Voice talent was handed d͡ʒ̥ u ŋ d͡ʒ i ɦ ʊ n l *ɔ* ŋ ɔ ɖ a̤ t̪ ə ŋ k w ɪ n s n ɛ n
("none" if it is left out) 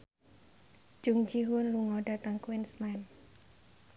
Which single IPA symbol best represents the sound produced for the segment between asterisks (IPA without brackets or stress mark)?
u